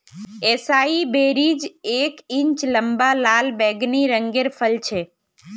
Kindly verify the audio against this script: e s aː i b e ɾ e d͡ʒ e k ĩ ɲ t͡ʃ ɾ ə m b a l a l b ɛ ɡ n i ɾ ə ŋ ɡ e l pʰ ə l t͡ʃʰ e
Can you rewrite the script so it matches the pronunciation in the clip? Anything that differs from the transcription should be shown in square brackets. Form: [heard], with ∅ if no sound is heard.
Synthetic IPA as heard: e s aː i b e ɾ [i] d͡ʒ e k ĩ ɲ t͡ʃ [l] ə m b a l a l b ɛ ɡ n i ɾ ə ŋ ɡ e [ɾ] pʰ ə l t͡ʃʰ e